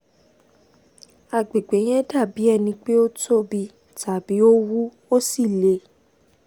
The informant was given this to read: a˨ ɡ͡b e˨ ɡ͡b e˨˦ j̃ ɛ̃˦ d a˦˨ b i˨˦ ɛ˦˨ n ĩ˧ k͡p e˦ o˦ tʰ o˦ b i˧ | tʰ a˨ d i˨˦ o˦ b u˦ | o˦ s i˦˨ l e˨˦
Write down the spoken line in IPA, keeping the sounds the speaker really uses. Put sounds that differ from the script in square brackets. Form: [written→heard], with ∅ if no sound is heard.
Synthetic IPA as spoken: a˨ ɡ͡b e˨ ɡ͡b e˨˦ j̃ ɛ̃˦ d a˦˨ b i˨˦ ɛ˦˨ n ĩ˧ k͡p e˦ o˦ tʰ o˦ b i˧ | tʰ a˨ [d→b] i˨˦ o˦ [b→w] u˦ | o˦ s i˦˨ l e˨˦